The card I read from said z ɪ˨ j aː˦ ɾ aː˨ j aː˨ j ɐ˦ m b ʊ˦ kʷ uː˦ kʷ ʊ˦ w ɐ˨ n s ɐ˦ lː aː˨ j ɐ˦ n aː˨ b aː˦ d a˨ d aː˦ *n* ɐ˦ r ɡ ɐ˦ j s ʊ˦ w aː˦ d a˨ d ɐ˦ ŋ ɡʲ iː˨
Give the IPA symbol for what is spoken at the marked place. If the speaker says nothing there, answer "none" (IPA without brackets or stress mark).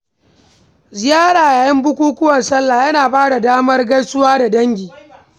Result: m